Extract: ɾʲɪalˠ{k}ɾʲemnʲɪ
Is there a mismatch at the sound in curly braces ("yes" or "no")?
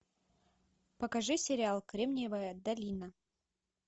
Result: no